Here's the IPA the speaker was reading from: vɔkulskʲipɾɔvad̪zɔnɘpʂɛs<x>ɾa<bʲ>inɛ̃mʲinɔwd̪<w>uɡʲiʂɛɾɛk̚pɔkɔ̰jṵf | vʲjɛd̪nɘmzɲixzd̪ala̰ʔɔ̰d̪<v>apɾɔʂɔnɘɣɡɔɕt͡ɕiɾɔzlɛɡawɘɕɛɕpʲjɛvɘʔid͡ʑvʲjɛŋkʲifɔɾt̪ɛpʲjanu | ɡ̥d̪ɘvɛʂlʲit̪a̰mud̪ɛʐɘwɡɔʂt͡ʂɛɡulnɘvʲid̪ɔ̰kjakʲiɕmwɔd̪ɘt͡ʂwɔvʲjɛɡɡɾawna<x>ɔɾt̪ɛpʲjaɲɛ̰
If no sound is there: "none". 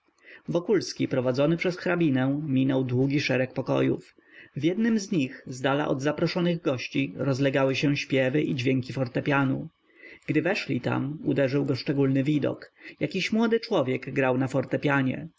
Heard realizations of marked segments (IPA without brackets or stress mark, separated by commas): x, bʲ, w, z, f